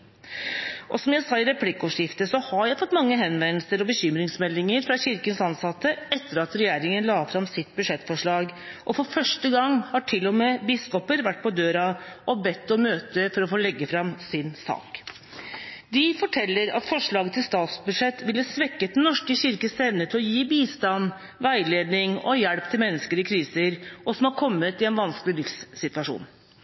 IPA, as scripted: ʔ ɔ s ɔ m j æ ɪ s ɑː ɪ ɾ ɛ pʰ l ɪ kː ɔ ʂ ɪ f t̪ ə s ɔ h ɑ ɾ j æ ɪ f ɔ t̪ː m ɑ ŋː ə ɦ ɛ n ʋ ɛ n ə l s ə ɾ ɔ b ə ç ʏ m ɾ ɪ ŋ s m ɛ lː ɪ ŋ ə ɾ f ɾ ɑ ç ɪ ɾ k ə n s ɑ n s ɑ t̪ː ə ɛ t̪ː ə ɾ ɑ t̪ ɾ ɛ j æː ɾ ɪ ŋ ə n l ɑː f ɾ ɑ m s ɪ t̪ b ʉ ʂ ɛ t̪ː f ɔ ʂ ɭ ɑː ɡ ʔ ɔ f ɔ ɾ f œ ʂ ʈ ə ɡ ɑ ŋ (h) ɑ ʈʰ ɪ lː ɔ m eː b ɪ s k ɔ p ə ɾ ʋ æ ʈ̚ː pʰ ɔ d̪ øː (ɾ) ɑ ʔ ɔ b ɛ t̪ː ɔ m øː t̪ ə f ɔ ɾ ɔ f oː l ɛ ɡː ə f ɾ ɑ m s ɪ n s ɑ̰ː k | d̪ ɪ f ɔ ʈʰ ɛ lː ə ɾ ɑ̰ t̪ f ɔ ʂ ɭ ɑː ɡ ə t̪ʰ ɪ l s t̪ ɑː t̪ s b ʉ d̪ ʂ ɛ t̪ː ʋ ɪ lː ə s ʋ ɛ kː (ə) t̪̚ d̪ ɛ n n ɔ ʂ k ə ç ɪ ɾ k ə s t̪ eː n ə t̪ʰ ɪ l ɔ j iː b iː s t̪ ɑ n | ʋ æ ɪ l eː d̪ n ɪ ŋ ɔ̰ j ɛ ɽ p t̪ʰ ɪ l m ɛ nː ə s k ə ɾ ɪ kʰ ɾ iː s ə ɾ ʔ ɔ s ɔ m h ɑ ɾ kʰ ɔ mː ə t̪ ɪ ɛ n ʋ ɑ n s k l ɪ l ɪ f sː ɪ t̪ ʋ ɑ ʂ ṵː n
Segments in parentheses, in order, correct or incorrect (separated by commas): correct, correct, correct